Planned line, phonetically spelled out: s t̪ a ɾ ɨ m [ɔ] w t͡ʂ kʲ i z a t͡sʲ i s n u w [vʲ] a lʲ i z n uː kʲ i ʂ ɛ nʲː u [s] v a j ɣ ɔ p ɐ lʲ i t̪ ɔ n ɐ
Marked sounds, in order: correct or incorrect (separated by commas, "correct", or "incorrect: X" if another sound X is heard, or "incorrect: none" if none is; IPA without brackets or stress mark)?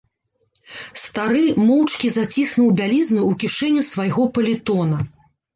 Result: correct, incorrect: bʲ, correct